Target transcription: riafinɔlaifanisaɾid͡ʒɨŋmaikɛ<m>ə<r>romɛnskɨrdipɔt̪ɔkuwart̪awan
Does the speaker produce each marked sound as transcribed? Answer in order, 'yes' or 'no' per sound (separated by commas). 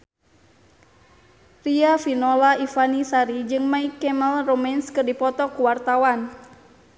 yes, no